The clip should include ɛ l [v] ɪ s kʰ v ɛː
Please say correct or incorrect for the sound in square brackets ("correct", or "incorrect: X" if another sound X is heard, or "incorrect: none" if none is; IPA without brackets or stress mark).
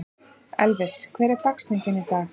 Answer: correct